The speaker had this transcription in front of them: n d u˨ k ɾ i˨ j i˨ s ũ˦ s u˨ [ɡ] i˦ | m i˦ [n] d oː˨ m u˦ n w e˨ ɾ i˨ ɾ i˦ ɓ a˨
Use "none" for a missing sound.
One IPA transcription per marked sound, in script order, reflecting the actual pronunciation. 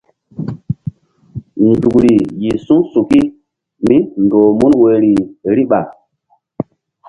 k, n

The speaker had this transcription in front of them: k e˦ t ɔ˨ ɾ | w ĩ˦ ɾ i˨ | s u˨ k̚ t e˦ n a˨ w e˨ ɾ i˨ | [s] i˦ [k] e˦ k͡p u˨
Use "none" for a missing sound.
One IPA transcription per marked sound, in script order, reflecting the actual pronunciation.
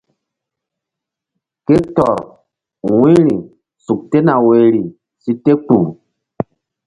s, t

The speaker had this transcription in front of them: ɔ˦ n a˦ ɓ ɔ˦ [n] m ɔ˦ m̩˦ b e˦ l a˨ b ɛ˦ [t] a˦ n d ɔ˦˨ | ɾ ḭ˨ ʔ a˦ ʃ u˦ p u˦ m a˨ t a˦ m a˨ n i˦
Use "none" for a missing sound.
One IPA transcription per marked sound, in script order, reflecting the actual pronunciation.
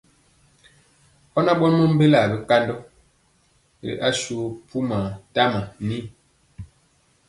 n, k

